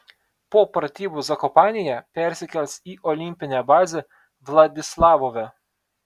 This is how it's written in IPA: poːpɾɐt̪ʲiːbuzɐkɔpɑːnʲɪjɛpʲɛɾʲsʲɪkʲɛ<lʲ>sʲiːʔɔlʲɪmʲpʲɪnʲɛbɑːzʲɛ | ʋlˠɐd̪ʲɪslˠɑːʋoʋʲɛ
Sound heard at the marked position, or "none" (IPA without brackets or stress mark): lʲ